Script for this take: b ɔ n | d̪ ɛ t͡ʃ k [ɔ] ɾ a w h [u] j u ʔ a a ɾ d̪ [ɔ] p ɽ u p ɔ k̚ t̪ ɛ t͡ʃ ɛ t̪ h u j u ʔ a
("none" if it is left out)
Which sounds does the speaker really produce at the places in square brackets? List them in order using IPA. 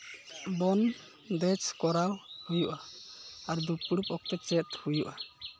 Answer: ɔ, u, u

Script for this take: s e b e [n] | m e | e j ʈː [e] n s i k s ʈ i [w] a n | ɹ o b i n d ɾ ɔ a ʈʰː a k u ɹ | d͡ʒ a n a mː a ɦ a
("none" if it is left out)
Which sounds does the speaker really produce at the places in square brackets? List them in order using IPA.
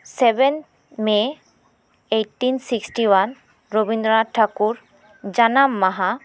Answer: n, i, w

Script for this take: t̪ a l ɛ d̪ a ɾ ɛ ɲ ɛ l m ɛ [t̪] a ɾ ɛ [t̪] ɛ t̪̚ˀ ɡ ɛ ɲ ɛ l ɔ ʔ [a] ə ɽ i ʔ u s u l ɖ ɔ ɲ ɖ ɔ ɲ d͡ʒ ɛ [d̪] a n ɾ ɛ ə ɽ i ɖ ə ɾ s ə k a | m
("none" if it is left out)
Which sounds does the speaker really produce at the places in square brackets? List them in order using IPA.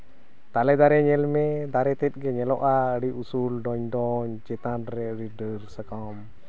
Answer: d̪, t̪, a, t̪

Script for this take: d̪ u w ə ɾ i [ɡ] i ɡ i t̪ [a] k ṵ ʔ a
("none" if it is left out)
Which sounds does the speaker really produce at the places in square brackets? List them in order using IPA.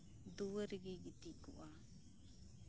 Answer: ɡ, i

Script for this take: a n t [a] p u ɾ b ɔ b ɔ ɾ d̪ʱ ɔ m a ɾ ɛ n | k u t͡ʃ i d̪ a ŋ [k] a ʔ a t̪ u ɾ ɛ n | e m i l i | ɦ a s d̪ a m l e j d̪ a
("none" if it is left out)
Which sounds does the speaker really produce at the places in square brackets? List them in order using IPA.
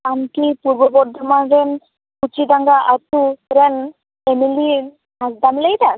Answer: i, ɡ

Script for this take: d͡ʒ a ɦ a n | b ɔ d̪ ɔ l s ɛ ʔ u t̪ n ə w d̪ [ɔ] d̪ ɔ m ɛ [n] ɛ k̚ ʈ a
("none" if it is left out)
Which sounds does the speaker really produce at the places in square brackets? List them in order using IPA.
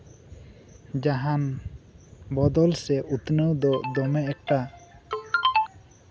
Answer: ɔ, none

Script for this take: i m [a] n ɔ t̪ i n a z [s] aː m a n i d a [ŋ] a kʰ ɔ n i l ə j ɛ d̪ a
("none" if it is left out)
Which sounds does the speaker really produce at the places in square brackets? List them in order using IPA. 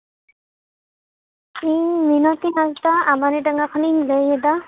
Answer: i, t, ŋ

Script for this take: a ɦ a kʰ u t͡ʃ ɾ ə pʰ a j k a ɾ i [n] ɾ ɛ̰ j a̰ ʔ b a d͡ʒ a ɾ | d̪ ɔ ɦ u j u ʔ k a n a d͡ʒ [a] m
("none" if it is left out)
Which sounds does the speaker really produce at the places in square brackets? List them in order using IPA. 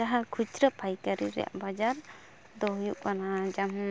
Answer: none, a

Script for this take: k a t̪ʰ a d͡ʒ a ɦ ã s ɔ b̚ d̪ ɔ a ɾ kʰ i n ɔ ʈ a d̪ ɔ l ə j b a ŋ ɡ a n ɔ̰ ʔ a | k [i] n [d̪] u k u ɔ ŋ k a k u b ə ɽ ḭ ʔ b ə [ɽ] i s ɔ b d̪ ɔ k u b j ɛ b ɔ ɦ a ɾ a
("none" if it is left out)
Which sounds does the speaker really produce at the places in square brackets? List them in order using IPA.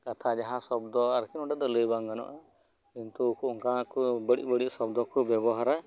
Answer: i, t̪, ɽ

